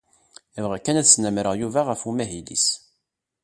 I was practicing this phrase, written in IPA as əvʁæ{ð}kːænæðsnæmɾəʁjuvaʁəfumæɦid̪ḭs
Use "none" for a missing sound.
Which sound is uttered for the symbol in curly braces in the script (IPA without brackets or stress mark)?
none